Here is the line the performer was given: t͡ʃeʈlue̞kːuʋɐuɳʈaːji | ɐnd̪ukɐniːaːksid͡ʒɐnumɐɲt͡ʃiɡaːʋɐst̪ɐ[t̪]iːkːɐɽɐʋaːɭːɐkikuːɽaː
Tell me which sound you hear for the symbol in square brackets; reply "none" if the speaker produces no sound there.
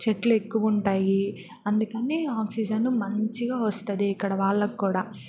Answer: d̪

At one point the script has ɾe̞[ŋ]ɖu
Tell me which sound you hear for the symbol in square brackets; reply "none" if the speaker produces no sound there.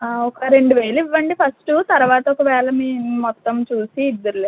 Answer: ɳ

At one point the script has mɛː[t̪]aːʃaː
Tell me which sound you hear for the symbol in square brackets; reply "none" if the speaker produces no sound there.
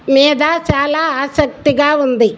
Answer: d̪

